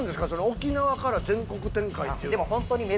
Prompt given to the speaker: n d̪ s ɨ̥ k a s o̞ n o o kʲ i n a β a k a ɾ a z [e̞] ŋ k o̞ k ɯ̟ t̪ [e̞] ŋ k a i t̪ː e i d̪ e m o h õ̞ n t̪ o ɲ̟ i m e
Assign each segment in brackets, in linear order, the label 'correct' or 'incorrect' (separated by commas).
incorrect, incorrect